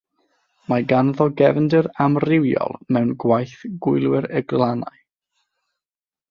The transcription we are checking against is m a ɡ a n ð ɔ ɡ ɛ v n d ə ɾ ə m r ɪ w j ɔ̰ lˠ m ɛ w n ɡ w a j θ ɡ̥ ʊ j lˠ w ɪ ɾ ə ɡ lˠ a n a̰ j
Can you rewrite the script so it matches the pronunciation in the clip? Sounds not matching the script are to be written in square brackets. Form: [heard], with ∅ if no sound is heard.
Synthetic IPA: m a ɡ a n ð ɔ ɡ ɛ v n d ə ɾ [a] m r ɪ w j ɔ̰ lˠ m ɛ w n ɡ w a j θ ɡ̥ ʊ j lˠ w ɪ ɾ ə ɡ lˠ a n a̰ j